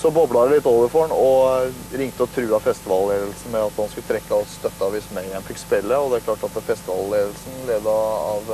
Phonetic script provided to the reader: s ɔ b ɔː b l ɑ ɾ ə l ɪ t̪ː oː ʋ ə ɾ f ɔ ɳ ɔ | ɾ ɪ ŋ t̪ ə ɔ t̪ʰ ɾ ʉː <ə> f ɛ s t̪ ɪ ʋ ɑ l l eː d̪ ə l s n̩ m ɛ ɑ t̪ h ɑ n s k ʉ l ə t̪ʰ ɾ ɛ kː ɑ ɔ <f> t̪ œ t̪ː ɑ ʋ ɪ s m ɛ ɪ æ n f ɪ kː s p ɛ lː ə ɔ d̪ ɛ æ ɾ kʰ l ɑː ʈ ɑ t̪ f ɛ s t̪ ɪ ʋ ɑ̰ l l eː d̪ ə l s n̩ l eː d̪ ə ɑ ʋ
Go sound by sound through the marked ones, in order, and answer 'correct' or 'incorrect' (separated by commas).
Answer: incorrect, incorrect